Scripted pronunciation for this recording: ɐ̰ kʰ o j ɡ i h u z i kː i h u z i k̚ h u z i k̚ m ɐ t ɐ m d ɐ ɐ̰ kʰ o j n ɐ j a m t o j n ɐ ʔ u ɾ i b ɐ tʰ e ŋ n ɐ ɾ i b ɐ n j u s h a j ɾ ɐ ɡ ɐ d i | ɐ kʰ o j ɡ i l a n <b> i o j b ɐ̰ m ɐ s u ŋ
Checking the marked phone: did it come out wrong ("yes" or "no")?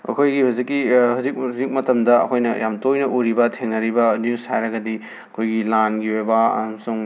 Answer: yes